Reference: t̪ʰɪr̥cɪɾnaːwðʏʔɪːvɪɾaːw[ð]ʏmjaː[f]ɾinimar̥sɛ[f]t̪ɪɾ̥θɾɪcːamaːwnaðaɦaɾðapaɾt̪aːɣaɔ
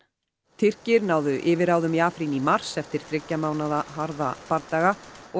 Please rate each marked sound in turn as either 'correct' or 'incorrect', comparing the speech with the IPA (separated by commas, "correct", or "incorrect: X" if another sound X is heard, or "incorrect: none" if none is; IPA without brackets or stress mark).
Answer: correct, correct, correct